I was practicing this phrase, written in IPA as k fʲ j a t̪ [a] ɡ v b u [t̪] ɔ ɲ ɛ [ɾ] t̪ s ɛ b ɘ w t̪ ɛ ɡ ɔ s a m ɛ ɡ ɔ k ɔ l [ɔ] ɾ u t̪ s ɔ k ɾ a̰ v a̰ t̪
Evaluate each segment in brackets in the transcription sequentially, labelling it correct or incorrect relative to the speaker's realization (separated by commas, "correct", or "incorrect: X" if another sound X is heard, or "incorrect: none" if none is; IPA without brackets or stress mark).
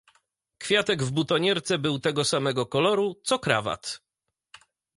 incorrect: ɛ, correct, correct, correct